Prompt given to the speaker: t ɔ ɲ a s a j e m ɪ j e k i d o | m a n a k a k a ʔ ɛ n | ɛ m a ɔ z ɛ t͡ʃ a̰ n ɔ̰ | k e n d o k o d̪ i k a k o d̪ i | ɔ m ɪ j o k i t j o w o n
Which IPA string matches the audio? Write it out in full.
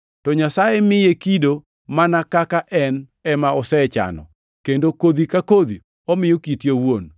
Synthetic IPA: t ɔ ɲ a s a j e m ɪ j e k i d o | m a n a k a k a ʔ ɛ n | ɛ m a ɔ s ɛ t͡ʃ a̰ n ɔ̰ | k e n d o k o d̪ i k a k o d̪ i | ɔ m ɪ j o k i t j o w o n